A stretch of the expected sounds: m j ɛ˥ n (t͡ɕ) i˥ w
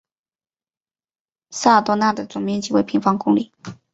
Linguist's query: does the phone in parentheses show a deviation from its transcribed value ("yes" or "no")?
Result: no